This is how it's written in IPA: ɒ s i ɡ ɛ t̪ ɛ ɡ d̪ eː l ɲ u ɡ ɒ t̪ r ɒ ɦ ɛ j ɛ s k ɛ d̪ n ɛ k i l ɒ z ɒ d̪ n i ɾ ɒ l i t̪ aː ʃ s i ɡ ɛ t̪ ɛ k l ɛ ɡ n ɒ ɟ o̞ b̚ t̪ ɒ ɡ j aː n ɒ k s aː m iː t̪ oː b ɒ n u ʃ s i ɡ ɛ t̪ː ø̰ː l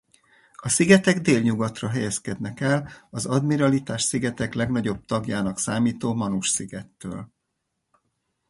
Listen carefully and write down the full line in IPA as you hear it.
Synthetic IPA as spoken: ɒ s i ɡ ɛ t̪ ɛ ɡ d̪ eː l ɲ u ɡ ɒ t̪ r ɒ ɦ ɛ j ɛ s k ɛ d̪ n ɛ k ɛ l ɒ z ɒ d̪ m i ɾ ɒ l i t̪ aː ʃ s i ɡ ɛ t̪ ɛ k l ɛ ɡ n ɒ ɟ o̞ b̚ t̪ ɒ ɡ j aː n ɒ k s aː m iː t̪ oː m ɒ n u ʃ s i ɡ ɛ t̪ː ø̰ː l